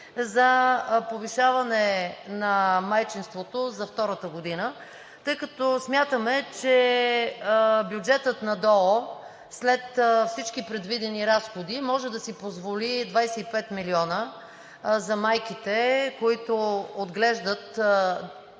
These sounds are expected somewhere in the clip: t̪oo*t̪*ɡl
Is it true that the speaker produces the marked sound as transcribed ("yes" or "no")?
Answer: no